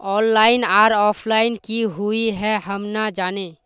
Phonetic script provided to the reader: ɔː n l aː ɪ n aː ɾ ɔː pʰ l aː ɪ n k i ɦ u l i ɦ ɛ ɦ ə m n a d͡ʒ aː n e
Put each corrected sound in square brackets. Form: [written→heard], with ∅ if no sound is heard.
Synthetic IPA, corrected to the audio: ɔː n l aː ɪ n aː ɾ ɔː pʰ l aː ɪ n k i ɦ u [l→∅] i ɦ ɛ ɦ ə m n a d͡ʒ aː n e